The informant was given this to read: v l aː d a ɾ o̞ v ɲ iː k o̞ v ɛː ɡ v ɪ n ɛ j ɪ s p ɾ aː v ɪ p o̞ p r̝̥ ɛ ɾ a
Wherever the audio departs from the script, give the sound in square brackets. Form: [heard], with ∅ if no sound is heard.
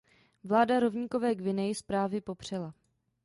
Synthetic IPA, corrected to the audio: v l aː d a ɾ o̞ v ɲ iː k o̞ v ɛː ɡ v ɪ n ɛ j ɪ s p ɾ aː v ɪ p o̞ p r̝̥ ɛ [l] a

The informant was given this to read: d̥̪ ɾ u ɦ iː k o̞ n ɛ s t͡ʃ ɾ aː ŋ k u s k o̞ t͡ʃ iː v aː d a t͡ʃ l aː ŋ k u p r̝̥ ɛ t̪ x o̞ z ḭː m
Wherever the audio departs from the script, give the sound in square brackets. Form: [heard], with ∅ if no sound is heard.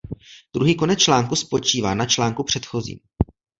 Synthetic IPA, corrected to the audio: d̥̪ ɾ u ɦ iː k o̞ n ɛ [t͡s] t͡ʃ [l] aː ŋ k u s [p] o̞ t͡ʃ iː v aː [n] a t͡ʃ l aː ŋ k u p r̝̥ ɛ t̪ x o̞ z ḭː m

